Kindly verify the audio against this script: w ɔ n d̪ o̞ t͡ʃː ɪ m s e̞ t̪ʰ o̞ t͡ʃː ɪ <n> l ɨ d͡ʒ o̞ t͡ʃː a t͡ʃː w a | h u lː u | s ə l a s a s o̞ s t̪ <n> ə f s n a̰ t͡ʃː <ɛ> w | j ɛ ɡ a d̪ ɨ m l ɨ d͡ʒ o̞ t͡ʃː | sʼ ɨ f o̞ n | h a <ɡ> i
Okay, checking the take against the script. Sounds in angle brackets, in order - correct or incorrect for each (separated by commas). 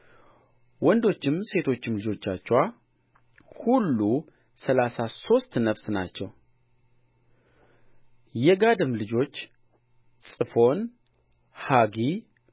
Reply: incorrect, correct, correct, correct